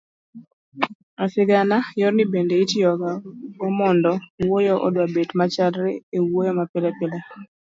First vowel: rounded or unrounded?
unrounded